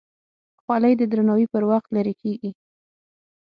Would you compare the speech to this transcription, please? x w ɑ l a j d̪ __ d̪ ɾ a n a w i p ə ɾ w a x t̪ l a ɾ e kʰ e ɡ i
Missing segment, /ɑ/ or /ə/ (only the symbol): ə